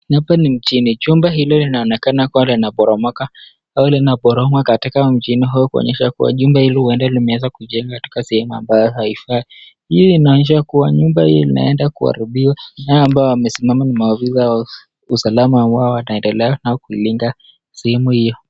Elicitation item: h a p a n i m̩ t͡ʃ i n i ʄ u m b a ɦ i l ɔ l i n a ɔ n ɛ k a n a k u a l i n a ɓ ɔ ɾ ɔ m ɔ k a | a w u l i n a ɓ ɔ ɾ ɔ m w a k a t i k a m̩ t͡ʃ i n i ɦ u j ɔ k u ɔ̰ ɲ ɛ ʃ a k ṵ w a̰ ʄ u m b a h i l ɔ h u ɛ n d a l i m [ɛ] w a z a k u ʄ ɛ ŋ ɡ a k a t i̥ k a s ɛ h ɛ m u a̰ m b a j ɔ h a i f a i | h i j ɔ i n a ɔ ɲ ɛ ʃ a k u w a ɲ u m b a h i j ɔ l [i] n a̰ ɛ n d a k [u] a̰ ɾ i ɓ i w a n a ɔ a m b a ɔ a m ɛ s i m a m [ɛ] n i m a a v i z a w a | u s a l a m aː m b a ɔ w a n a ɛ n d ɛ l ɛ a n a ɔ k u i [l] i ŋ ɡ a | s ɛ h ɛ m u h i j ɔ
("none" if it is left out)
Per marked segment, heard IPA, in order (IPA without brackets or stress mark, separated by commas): ɛ, i, u, a, l